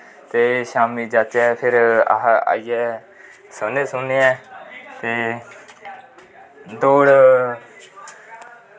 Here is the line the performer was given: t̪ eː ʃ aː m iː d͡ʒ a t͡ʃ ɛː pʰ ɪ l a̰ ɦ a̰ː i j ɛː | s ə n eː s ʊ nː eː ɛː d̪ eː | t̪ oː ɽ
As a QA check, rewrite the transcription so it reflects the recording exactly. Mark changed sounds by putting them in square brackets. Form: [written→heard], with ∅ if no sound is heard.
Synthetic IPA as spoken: t̪ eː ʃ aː m iː d͡ʒ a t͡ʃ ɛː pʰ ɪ [l→ɾ] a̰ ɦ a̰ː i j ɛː | s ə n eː s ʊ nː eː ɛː [d̪→t̪] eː | [t̪→d̪] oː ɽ